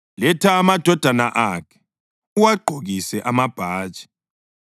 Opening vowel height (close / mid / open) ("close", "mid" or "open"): mid